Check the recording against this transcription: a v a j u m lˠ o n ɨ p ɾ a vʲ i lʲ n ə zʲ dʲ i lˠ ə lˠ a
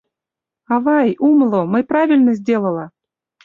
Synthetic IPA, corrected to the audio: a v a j u m lˠ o m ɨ p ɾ a vʲ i lʲ n ə zʲ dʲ e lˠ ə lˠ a